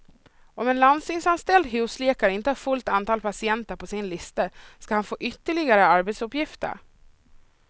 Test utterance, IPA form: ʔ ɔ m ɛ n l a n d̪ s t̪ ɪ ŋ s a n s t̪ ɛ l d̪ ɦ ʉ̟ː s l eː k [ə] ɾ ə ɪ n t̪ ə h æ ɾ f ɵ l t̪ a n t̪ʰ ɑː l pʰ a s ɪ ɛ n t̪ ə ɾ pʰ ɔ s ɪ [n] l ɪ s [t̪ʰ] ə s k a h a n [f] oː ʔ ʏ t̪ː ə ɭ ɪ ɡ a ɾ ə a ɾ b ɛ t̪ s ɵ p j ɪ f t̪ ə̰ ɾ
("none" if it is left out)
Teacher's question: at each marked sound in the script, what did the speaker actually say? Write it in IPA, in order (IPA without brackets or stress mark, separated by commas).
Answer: a, n, t̪, f